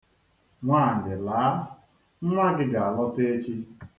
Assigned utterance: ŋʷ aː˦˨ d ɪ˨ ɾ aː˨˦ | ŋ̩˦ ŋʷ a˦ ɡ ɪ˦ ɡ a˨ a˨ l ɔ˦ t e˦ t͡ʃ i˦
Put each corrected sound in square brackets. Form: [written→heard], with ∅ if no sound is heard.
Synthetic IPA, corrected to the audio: ŋʷ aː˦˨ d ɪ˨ [ɾ→l] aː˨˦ | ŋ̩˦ ŋʷ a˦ ɡ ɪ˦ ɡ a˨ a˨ l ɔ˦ t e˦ t͡ʃ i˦